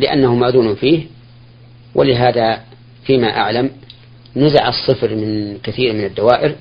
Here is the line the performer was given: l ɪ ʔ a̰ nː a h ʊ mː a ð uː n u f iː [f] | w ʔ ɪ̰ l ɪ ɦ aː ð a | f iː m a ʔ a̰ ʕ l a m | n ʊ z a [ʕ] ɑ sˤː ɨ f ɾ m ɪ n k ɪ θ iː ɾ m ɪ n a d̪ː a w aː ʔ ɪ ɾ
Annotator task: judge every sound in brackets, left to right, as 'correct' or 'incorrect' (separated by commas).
incorrect, correct